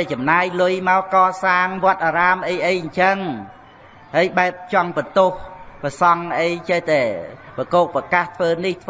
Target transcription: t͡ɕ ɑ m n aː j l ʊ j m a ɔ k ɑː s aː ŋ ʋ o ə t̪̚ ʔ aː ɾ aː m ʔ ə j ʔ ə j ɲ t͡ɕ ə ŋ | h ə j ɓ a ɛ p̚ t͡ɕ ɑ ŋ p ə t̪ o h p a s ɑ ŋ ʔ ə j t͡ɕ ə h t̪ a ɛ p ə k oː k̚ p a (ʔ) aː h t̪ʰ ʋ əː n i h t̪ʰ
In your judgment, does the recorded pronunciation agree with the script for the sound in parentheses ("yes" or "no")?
no